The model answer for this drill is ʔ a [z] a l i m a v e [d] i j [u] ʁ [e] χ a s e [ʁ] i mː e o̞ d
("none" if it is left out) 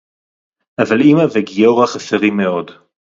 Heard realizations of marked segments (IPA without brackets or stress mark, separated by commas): v, ɡ, o, a, ʁ